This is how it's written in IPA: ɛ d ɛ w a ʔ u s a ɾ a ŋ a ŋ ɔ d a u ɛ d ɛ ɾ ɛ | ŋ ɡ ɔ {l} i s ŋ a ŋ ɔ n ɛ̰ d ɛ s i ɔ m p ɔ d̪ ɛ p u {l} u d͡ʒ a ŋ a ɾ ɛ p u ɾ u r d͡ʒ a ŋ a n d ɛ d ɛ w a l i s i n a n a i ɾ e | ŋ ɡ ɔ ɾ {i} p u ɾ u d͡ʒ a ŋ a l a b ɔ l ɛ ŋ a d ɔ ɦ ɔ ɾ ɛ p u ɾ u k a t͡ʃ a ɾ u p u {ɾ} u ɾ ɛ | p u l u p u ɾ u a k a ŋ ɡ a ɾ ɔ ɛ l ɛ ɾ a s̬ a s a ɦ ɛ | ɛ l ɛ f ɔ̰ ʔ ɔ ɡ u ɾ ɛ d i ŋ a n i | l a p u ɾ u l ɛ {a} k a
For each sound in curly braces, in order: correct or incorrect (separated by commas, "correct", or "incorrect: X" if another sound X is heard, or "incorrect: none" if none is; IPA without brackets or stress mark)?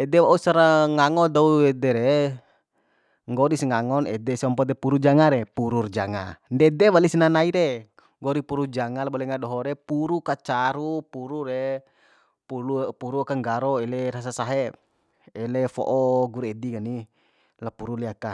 incorrect: ɾ, incorrect: ɾ, correct, correct, correct